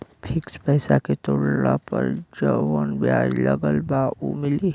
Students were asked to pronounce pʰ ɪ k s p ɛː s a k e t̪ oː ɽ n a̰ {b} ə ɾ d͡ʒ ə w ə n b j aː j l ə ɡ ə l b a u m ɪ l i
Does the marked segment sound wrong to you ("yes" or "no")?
yes